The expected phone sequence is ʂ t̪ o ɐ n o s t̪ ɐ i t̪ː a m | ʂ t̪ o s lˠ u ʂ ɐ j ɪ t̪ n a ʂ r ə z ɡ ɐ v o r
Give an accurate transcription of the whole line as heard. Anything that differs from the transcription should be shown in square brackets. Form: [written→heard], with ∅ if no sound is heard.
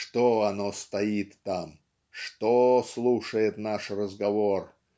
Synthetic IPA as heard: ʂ t̪ o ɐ n o s t̪ ɐ i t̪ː a m | ʂ t̪ o s lˠ u ʂ [ɐ→ə] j ɪ t̪ n a ʂ r ə z ɡ ɐ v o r